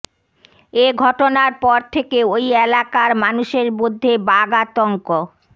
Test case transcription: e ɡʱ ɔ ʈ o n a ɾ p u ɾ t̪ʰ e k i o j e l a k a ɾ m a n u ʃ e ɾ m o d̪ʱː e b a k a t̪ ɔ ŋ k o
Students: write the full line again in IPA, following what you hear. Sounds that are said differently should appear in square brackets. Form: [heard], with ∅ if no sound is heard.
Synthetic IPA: e ɡʱ ɔ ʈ o n a ɾ p [ɔ] ɾ t̪ʰ e k [e] o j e l a k a ɾ m a n u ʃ e ɾ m o d̪ʱː e b a [ɡ] a t̪ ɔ ŋ k o